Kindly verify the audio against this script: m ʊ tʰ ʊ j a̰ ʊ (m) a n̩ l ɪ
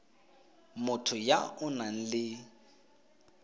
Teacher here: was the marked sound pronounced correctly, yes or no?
no